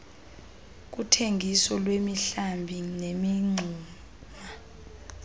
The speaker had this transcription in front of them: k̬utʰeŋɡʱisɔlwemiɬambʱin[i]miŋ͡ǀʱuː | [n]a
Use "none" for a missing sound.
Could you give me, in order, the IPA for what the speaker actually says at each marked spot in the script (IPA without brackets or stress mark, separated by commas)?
e, m